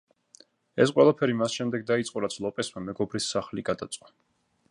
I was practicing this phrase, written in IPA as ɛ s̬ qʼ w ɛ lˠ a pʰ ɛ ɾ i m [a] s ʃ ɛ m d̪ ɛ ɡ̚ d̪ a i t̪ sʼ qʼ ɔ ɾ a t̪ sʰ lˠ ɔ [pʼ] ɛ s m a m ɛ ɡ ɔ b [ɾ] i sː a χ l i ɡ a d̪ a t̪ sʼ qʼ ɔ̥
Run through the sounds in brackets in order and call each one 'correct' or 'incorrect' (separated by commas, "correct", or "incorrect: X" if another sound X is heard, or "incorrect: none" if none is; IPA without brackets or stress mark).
correct, correct, correct